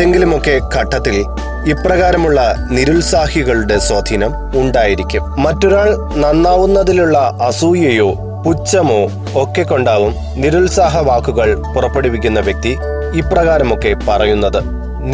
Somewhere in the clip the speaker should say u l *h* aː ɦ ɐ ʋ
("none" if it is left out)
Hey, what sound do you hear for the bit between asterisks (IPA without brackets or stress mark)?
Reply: s